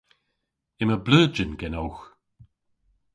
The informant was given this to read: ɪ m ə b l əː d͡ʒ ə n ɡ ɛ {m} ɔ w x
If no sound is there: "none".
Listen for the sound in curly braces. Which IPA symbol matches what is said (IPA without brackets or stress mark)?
n